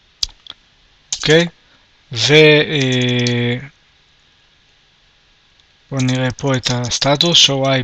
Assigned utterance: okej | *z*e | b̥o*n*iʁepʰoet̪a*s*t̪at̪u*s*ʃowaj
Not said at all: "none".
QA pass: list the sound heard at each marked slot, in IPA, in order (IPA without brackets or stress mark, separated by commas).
v, n, s, s